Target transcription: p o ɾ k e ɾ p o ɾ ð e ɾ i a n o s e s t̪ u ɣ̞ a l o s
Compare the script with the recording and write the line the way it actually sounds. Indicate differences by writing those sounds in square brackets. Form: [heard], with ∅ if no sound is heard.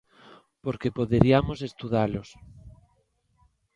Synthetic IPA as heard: p o ɾ k e [∅] p o [∅] ð e ɾ i a [m] o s e s t̪ u [ð̞] a l o s